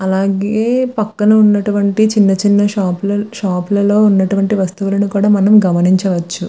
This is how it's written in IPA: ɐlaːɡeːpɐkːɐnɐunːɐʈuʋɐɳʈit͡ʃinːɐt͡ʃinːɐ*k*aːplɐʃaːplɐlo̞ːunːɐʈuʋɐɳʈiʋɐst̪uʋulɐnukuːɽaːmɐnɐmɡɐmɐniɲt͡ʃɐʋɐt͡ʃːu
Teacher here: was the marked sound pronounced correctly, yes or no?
no